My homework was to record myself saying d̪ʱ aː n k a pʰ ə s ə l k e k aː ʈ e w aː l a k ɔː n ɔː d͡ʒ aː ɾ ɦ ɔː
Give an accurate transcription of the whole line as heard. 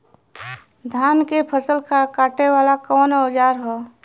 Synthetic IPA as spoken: d̪ʱ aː n k e pʰ ə s ə l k a k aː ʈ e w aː l a k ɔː n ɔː d͡ʒ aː ɾ ɦ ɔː